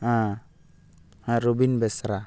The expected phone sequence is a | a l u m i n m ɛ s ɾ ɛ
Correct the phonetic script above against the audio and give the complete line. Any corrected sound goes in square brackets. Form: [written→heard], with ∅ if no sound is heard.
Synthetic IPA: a | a [l→ɾ] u [m→b] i n [m→b] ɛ s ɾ [ɛ→a]